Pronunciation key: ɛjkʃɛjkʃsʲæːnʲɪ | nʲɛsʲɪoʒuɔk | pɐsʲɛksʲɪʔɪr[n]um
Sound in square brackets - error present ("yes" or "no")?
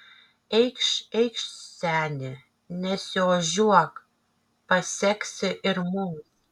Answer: yes